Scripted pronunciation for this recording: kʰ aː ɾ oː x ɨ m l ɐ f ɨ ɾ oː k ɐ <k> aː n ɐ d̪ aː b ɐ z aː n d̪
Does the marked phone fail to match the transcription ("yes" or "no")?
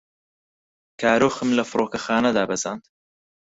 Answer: yes